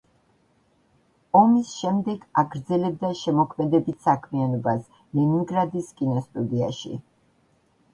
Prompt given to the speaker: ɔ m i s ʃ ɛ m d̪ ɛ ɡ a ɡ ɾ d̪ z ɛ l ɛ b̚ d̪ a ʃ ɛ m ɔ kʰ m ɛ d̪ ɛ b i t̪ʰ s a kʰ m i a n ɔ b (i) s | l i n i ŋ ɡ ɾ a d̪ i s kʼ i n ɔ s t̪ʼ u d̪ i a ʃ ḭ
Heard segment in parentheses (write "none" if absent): a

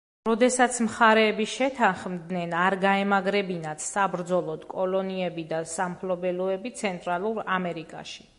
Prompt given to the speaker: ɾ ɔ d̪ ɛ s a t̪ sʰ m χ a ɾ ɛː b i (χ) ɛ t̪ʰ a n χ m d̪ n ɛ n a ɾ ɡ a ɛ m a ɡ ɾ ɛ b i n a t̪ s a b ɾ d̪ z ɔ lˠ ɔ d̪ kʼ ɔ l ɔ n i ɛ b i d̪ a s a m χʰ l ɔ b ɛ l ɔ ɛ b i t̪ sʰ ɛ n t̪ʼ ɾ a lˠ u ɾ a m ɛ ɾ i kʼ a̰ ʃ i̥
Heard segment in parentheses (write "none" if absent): ʃ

